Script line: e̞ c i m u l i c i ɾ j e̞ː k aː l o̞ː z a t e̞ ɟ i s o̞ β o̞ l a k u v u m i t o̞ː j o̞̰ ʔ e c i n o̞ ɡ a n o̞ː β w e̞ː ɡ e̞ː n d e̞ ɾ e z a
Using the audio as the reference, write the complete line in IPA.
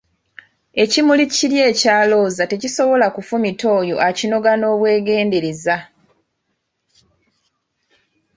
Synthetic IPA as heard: e̞ c i m u l i c i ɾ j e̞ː c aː l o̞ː z a t e̞ c i s o̞ β o̞ l a k u f u m i t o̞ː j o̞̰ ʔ a c i n o̞ ɡ a n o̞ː β w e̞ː ɡ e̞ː n d e̞ ɾ e z a